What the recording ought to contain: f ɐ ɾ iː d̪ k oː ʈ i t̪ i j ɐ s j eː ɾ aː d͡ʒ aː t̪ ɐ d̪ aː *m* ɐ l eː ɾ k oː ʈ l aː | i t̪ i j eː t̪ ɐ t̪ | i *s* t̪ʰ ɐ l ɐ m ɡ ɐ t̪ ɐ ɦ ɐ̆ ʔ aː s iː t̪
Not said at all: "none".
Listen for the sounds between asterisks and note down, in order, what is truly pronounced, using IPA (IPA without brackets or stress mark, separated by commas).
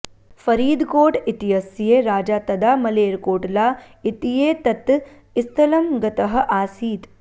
m, s